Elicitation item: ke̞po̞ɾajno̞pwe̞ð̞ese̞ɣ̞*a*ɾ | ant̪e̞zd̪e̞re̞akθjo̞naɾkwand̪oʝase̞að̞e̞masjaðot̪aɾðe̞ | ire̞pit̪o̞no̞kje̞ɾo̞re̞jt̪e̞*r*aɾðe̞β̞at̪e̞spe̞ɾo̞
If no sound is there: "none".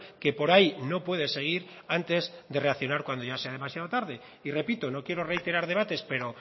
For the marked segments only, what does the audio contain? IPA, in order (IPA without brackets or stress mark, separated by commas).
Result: i, ɾ